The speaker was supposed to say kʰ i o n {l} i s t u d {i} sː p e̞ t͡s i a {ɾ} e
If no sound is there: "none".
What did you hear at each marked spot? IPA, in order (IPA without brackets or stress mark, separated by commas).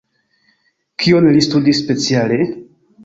l, i, l